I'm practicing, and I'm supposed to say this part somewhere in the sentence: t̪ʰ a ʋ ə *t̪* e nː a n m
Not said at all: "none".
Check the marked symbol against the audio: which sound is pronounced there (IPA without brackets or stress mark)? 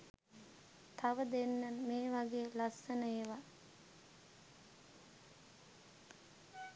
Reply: d̪